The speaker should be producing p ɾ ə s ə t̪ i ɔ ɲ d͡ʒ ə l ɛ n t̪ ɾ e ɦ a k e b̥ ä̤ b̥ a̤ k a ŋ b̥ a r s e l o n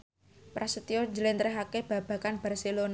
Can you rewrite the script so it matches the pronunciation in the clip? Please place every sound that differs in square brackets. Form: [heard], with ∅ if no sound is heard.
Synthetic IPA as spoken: p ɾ [a] s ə t̪ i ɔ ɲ d͡ʒ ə l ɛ n t̪ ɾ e ɦ a k e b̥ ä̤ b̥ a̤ k a [n] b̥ a r s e l o n